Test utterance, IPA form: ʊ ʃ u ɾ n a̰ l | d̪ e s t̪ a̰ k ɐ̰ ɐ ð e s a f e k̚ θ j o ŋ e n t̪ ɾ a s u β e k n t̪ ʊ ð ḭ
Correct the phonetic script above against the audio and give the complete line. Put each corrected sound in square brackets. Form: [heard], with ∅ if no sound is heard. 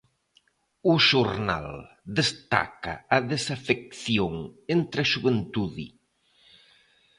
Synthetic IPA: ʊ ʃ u ɾ n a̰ l | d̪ e s t̪ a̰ k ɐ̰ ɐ ð e s a f e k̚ θ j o ŋ e n t̪ ɾ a [ʃ] u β e [∅] n t̪ [u] ð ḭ